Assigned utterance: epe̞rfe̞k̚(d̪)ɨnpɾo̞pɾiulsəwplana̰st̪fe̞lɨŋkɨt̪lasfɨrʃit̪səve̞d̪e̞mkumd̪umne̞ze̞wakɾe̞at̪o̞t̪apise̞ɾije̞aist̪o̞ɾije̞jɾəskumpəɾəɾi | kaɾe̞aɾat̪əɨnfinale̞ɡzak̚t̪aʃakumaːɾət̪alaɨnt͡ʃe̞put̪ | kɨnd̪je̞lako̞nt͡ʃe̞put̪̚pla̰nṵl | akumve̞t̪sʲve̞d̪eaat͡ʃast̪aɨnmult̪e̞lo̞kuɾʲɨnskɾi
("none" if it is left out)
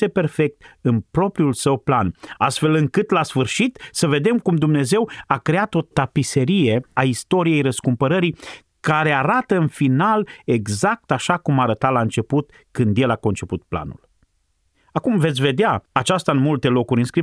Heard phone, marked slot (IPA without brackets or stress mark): t̪